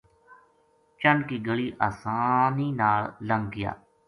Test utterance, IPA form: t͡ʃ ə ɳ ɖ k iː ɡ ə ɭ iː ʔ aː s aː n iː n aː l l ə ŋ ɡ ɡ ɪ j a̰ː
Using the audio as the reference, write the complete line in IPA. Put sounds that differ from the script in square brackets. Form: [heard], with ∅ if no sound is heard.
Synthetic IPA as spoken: t͡ʃ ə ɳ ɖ k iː ɡ ə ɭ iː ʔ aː s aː n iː n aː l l ə ŋ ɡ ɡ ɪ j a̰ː

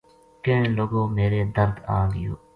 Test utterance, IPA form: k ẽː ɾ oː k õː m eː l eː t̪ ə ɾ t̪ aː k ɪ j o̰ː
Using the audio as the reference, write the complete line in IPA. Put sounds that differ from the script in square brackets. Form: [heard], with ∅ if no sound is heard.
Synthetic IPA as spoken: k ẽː [l] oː [ɡ] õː m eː [ɾ] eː [d̪] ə ɾ [d̪] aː [ɡ] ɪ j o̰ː

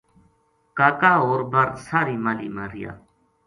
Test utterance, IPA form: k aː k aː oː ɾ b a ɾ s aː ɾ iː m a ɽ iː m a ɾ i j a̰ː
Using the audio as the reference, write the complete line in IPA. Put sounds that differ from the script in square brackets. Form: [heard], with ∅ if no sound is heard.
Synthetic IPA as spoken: k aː k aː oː ɾ b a ɾ s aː ɾ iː m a [l] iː m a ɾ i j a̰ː

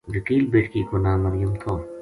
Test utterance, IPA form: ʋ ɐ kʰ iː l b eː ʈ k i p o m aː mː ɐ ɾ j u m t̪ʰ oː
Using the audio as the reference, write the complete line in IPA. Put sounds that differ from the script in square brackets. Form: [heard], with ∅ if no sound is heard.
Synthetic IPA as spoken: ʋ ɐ [k] iː l b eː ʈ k i [k] o [n] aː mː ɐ ɾ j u m t̪ʰ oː

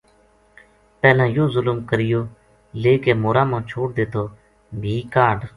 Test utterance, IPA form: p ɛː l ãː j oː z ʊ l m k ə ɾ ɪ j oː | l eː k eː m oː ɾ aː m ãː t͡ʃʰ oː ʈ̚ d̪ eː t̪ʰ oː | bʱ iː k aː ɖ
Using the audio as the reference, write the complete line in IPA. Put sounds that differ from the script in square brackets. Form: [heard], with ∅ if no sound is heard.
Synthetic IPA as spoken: p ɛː l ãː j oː z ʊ l m k ə ɾ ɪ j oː | l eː k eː m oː ɾ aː m ãː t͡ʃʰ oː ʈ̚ d̪ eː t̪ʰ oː | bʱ iː k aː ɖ

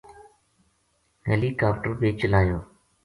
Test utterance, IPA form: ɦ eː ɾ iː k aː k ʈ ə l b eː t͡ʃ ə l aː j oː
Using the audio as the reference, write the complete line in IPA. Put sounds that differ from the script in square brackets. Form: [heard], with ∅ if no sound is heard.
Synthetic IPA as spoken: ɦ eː [l] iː k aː [p] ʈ ə [ɾ] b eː t͡ʃ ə l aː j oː

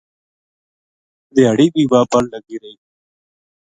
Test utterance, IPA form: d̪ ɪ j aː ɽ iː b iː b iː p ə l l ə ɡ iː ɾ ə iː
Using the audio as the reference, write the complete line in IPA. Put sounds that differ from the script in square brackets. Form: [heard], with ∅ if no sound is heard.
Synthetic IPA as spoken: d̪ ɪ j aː ɽ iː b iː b [aː] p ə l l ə ɡ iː ɾ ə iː

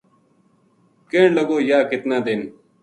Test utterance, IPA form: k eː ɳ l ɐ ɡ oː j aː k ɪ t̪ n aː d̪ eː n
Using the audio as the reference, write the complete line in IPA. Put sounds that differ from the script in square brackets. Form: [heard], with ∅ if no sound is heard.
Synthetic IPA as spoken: k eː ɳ l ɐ ɡ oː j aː k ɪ t̪ n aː d̪ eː n

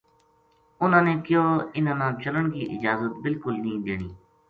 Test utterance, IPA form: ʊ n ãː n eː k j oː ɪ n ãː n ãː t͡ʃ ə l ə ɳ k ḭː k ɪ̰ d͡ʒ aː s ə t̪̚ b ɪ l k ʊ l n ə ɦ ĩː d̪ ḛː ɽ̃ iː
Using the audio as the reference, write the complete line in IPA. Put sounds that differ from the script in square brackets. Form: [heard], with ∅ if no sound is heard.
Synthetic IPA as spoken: ʊ n ãː n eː k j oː ɪ n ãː n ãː t͡ʃ ə l ə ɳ k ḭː [ʔ] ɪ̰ d͡ʒ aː [z] ə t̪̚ b ɪ l k ʊ l n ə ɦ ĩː d̪ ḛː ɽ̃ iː

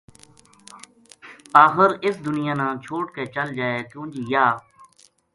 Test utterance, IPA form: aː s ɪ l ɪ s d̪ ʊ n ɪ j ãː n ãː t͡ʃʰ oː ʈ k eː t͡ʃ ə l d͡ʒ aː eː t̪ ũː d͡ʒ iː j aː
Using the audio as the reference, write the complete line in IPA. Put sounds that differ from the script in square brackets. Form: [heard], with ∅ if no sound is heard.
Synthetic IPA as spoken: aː [x] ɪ [ɾ] ɪ s d̪ ʊ n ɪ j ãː n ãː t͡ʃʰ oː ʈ k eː t͡ʃ ə l d͡ʒ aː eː t̪ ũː d͡ʒ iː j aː

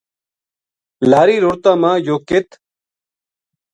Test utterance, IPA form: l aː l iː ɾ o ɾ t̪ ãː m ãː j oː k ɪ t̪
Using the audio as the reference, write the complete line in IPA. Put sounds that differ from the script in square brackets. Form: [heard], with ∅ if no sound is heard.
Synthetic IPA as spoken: l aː [ɾ] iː ɾ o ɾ t̪ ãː m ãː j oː k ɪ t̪

